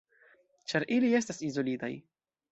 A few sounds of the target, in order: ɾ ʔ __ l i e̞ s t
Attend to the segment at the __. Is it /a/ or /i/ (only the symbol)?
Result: i